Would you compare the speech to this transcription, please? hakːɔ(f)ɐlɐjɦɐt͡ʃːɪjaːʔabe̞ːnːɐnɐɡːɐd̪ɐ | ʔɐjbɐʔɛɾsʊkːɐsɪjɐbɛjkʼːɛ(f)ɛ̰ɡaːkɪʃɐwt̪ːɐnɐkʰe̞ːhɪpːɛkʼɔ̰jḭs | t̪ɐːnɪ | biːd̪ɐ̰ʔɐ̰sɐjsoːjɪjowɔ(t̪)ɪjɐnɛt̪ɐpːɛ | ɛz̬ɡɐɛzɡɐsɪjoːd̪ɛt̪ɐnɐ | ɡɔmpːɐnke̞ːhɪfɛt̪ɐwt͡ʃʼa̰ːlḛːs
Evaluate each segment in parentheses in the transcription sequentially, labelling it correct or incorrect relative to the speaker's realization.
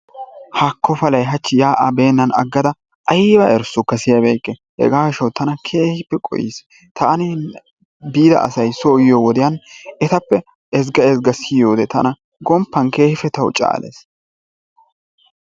correct, incorrect: h, incorrect: d̪

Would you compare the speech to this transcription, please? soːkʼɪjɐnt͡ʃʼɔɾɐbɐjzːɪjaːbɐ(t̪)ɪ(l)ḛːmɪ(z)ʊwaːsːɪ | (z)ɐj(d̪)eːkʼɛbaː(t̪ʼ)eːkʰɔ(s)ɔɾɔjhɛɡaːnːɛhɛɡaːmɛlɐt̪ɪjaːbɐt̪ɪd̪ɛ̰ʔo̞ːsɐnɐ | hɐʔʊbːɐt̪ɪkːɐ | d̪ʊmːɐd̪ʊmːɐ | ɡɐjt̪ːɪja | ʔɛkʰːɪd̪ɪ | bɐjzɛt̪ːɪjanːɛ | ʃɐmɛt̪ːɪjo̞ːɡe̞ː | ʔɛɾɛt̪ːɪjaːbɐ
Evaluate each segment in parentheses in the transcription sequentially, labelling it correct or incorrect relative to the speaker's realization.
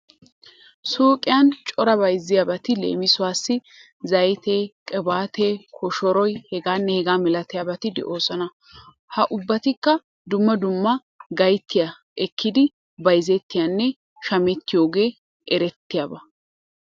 correct, correct, incorrect: s, correct, incorrect: t̪, incorrect: t̪, incorrect: ʃ

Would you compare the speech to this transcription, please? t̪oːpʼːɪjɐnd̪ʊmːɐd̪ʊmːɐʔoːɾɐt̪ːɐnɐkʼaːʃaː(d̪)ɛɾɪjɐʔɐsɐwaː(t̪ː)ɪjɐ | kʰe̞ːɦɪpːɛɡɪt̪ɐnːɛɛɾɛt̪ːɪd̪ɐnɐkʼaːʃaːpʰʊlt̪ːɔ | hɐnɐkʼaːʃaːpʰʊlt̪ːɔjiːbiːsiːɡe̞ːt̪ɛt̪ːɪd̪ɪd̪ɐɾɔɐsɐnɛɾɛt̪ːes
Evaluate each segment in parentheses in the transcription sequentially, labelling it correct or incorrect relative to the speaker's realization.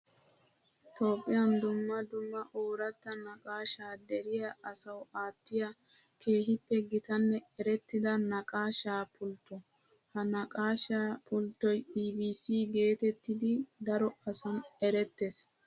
correct, correct

